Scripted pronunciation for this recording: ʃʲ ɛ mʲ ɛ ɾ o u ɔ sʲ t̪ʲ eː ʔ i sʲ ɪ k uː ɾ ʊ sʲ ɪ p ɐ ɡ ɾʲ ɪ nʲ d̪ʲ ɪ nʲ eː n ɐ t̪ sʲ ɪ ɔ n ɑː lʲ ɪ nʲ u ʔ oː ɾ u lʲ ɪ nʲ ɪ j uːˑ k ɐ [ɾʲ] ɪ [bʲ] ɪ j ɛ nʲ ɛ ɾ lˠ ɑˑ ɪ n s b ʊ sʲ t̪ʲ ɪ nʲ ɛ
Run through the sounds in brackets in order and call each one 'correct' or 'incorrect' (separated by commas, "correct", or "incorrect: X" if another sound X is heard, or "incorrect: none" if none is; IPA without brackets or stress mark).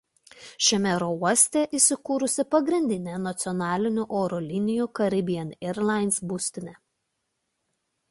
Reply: correct, correct